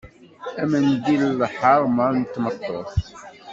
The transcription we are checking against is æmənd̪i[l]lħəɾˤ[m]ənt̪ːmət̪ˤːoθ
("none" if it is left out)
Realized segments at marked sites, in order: l, m

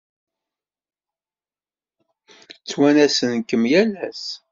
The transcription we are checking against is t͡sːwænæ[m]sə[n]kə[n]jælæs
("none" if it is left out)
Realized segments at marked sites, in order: none, n, m

